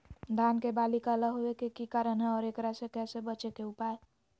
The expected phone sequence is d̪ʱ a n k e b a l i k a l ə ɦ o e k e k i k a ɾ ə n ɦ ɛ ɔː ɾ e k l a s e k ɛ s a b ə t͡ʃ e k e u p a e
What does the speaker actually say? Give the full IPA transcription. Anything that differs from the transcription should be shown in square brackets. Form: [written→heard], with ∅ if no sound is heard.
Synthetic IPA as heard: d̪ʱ a n k e b a l i k a l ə ɦ o e k e k i k a ɾ ə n ɦ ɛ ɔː ɾ e k [l→ɾ] a s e k ɛ s [a→e] b ə t͡ʃ e k e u p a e

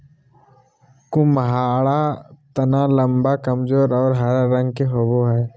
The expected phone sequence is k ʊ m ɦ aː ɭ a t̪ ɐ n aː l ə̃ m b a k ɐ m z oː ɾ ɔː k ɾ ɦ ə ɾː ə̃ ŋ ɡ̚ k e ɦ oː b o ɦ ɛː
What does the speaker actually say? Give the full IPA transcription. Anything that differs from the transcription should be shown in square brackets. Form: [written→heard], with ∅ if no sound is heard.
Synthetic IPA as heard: k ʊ m ɦ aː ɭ a t̪ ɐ n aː l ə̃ m b a k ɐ m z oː ɾ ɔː [k→∅] ɾ ɦ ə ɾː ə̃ ŋ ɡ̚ k e ɦ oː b o ɦ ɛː

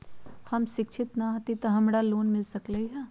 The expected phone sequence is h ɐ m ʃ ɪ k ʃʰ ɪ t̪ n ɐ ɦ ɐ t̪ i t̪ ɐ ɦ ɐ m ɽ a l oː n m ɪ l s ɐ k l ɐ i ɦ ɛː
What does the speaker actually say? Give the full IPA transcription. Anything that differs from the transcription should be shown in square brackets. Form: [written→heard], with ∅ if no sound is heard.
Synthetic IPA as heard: h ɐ m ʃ ɪ k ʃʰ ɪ t̪ n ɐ ɦ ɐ t̪ i t̪ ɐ ɦ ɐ m ɽ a l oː n m ɪ l s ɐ k l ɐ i ɦ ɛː

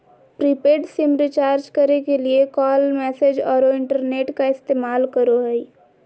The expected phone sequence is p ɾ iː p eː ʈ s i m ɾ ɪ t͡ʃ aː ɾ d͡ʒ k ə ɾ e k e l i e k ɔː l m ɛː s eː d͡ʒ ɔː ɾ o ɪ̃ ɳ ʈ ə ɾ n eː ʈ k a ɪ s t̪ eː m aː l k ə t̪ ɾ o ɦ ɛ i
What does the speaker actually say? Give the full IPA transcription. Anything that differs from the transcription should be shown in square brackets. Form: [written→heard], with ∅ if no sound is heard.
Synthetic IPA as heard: p ɾ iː p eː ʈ s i m ɾ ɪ t͡ʃ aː ɾ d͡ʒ k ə ɾ e k e l i e k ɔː l m ɛː s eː d͡ʒ ɔː ɾ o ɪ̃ ɳ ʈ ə ɾ n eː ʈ k a ɪ s t̪ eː m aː l k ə [t̪→∅] ɾ o ɦ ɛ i

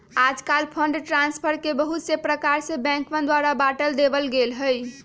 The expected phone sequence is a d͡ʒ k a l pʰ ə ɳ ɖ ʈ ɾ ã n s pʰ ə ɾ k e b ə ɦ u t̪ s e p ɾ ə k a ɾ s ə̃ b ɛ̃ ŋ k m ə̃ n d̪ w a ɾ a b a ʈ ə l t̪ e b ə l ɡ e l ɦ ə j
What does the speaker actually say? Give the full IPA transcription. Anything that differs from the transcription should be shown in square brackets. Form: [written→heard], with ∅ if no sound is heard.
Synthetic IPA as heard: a d͡ʒ k a l pʰ ə ɳ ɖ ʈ ɾ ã n s pʰ ə ɾ k e b ə ɦ u t̪ s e p ɾ ə k a ɾ s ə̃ b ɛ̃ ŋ k m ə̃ n d̪ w a ɾ a b a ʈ ə l [t̪→d̪] e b ə l ɡ e l ɦ ə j

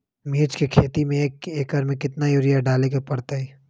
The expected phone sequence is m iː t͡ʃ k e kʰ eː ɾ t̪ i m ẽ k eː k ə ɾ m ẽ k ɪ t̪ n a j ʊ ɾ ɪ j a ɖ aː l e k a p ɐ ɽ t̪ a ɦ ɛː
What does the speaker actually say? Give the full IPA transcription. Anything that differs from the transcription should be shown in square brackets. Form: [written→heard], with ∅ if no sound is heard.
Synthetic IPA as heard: m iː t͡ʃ k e kʰ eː [ɾ→∅] t̪ i m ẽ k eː k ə ɾ m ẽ k ɪ t̪ n a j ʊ ɾ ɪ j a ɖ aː l e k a p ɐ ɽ t̪ a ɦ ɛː

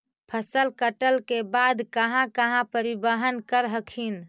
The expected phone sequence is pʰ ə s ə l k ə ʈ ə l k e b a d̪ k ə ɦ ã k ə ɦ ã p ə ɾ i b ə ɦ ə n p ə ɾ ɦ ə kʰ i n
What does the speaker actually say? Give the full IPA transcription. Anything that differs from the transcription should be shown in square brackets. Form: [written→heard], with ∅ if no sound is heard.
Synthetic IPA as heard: pʰ ə s ə l k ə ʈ ə l k e b a d̪ k ə ɦ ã k ə ɦ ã p ə ɾ i b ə ɦ ə n [p→k] ə ɾ ɦ ə kʰ i n

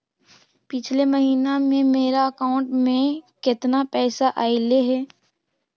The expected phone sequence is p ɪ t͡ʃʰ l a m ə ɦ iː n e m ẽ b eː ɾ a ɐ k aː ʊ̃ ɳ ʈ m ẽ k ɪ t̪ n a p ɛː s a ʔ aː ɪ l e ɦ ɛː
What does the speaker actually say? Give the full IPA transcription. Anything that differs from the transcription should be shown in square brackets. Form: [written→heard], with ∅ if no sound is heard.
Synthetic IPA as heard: p ɪ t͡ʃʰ l [a→e] m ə ɦ iː n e m ẽ [b→m] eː ɾ a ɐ k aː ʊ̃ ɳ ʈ m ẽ k ɪ t̪ n a p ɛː s a ʔ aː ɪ l e ɦ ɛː

